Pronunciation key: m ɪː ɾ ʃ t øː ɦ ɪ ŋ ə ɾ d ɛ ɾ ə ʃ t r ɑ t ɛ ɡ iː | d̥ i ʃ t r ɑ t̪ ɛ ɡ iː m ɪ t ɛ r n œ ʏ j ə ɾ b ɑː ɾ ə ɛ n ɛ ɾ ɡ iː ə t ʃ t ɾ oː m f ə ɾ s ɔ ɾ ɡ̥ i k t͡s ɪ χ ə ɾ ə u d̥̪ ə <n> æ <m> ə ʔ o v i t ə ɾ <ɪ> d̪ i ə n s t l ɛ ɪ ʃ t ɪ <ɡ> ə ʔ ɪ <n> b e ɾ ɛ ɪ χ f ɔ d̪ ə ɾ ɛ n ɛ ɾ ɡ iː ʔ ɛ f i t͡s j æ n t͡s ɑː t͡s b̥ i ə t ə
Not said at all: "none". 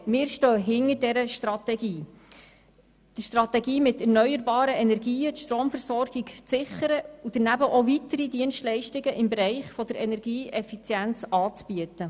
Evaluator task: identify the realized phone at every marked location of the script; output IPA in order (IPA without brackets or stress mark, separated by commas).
n, b, i, ɡ, m